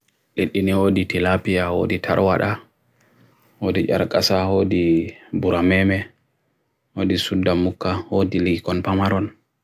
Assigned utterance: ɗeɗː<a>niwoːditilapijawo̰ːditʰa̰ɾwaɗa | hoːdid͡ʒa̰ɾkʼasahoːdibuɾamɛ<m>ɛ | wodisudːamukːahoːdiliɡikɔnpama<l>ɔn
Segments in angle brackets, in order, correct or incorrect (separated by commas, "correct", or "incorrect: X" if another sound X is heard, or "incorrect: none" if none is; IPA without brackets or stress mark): incorrect: i, correct, incorrect: ɾ